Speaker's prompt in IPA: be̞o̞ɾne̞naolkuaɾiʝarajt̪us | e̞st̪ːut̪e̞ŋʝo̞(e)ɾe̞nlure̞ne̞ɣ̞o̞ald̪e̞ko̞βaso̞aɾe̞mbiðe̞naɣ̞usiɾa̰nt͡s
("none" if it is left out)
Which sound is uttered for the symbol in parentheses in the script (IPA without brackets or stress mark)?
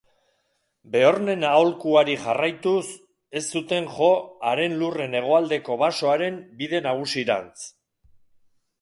a